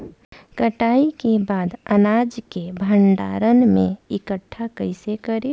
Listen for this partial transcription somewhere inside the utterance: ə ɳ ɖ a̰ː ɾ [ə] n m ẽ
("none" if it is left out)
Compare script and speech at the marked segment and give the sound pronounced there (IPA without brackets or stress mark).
ə